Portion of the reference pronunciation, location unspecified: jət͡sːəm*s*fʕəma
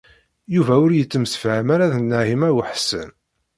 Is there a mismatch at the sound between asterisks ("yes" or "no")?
no